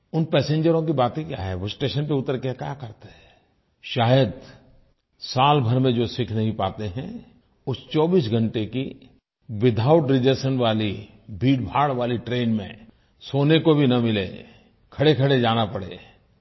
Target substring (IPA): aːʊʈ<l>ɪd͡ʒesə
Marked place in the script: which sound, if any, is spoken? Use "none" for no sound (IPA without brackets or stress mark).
ɾ